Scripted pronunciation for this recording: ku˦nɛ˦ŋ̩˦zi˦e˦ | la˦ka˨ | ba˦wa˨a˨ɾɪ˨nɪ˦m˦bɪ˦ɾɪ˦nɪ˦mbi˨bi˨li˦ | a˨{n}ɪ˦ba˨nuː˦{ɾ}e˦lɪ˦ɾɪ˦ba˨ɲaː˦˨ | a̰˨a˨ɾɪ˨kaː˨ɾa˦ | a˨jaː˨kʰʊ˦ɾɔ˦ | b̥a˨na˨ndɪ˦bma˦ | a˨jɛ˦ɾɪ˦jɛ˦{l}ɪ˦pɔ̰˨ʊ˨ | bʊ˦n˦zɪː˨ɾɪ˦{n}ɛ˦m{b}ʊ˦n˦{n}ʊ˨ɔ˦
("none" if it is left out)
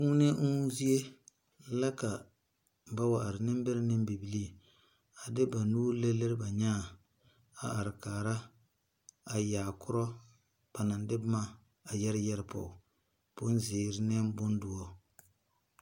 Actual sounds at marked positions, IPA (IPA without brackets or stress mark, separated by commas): d, l, ɾ, n, b, d